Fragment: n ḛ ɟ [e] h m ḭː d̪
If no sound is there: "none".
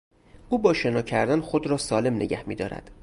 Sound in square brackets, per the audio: æ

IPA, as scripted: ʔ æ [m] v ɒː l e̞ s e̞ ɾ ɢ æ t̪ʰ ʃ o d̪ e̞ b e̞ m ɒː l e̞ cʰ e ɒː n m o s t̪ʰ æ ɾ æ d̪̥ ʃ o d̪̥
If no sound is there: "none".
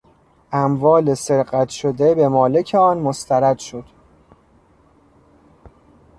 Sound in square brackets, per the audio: m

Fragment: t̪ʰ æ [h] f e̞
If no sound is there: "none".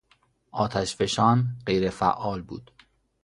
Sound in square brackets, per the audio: ʃ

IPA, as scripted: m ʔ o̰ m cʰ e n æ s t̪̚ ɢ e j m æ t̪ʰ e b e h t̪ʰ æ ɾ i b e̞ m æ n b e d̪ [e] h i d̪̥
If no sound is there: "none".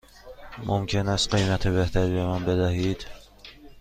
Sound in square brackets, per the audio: æ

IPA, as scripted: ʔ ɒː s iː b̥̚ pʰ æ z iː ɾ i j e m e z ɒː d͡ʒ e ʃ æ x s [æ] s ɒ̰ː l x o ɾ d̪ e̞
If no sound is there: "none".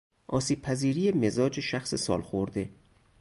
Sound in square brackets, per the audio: e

